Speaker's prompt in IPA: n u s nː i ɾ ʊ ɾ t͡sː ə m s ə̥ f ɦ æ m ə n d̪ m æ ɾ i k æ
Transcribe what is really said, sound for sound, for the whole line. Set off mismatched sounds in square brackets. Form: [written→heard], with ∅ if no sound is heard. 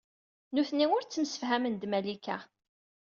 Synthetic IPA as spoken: n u [s→θ] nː i [ɾ→∅] ʊ ɾ t͡sː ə m s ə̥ f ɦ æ m ə n d̪ m æ [ɾ→l] i k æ